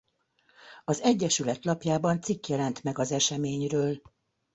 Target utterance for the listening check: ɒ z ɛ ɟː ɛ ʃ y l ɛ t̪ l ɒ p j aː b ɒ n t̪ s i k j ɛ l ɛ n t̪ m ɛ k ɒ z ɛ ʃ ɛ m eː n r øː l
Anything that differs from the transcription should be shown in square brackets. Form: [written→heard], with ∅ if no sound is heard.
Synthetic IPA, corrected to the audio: ɒ z ɛ ɟː ɛ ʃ y l ɛ t̪ l ɒ p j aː b ɒ n t̪ s i k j ɛ l ɛ n t̪ m ɛ [k→ɡ] ɒ z ɛ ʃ ɛ m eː [n→ɲ] r øː l